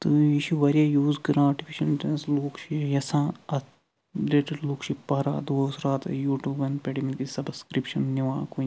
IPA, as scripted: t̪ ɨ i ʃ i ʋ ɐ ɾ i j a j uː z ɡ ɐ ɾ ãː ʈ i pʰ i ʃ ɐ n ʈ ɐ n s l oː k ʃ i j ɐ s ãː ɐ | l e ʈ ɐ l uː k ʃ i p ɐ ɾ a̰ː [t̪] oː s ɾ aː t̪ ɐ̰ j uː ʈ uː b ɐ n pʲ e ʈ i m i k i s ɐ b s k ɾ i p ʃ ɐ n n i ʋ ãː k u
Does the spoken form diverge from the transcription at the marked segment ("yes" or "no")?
yes